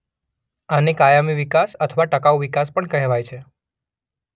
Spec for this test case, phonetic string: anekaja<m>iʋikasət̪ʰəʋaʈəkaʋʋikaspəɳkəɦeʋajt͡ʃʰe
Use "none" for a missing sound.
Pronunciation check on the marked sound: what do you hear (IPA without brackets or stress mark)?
m